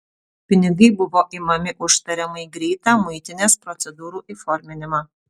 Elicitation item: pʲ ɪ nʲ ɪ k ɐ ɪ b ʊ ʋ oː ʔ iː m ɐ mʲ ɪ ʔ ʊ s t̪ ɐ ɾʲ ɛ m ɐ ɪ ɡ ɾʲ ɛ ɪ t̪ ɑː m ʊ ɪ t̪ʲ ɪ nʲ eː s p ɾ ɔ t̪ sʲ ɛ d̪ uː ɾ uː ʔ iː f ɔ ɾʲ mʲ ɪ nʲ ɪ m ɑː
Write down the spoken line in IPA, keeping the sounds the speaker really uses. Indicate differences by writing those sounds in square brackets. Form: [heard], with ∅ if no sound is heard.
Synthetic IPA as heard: pʲ ɪ nʲ ɪ [ɡ] ɐ ɪ b ʊ ʋ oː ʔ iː m ɐ mʲ ɪ ʔ ʊ [ʃ] t̪ ɐ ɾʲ ɛ m ɐ ɪ ɡ ɾʲ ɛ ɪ t̪ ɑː m ʊ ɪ t̪ʲ ɪ nʲ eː s p ɾ ɔ t̪ sʲ ɛ d̪ uː ɾ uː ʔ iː f ɔ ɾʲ mʲ ɪ nʲ ɪ m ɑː